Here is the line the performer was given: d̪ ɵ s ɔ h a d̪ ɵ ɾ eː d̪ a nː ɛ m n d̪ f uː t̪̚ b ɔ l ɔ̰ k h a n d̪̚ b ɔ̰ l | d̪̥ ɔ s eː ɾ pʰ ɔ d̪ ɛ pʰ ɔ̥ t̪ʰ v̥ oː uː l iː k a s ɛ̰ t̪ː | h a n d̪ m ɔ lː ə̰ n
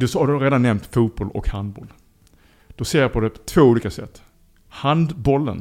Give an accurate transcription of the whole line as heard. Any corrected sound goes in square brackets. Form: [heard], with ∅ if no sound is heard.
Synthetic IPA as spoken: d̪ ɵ s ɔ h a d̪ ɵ ɾ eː d̪ a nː ɛ m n [t̪] f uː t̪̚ b ɔ l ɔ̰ k h a n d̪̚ b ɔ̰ l | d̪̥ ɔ s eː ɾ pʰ ɔ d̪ ɛ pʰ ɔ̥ t̪ʰ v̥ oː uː l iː k a s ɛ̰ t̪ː | h a n d̪ [b] ɔ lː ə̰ n